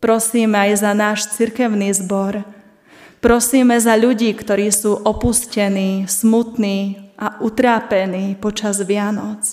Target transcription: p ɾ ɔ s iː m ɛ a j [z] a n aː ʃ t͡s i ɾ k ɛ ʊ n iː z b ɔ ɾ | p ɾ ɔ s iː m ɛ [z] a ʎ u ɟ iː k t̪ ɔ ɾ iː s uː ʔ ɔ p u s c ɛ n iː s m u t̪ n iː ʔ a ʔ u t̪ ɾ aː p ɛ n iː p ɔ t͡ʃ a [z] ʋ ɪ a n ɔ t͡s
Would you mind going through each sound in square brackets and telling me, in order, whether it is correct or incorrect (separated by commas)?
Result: correct, correct, correct